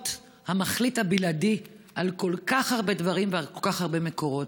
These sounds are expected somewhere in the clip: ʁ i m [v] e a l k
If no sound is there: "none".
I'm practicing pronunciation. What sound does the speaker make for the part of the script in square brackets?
v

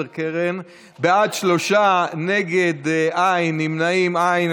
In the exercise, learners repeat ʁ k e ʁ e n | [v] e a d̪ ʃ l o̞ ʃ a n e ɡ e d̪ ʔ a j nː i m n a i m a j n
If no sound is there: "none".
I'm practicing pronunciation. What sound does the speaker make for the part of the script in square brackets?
b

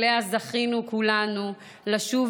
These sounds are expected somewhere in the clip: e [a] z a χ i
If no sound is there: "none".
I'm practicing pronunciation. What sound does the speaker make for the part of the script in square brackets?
a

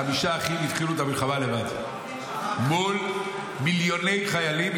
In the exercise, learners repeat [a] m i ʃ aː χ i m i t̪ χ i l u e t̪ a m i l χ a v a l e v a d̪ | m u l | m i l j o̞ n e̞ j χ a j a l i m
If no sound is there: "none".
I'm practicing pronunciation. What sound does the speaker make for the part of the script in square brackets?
a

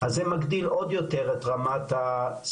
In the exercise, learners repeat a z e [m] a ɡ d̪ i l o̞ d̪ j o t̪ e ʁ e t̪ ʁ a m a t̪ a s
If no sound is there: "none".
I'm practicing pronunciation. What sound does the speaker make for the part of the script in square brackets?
m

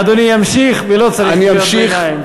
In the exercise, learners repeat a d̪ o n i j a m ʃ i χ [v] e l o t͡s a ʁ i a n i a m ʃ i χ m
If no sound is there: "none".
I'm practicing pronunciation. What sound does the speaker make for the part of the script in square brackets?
v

